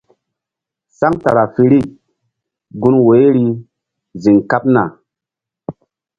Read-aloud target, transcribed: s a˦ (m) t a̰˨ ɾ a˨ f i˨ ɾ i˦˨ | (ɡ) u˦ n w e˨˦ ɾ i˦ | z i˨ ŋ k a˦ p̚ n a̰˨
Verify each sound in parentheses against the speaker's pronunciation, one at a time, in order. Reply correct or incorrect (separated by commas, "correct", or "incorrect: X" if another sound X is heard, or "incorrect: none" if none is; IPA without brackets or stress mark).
incorrect: ŋ, correct